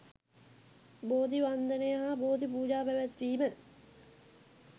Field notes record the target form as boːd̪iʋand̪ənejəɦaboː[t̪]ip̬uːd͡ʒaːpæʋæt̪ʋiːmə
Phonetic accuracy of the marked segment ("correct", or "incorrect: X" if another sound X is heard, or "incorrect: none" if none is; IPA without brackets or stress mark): incorrect: d̪